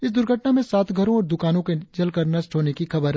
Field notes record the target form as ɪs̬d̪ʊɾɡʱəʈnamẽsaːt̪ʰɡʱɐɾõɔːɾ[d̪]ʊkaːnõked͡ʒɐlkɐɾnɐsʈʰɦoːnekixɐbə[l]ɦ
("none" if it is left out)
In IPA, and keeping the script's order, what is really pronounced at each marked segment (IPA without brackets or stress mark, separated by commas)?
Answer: d̪, ɾ